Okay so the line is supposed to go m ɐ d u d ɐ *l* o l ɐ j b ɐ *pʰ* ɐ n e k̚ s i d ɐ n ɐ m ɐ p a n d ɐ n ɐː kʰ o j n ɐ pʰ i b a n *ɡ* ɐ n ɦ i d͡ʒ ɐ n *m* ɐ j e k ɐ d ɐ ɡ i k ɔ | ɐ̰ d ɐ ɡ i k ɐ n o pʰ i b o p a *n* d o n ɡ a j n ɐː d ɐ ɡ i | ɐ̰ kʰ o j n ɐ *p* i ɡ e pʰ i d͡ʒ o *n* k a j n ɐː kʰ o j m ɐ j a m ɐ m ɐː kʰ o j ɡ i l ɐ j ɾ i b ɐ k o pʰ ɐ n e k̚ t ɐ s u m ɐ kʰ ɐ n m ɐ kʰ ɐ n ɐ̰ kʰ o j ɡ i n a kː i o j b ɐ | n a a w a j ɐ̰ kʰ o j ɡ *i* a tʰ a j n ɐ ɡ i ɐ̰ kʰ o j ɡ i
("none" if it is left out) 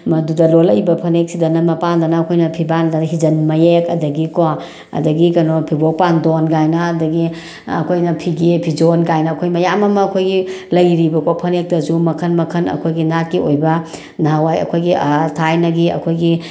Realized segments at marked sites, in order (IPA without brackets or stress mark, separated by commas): l, pʰ, d, m, n, pʰ, n, i